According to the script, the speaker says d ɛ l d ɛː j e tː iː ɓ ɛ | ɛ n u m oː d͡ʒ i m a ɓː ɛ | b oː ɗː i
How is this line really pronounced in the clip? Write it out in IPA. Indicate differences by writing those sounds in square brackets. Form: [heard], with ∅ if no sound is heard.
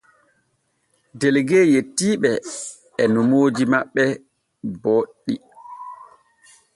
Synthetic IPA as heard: d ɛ l [ɡ] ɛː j e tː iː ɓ ɛ | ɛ n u m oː d͡ʒ i m a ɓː ɛ | b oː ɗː i